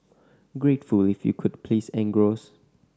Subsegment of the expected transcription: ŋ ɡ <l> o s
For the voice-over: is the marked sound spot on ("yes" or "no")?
no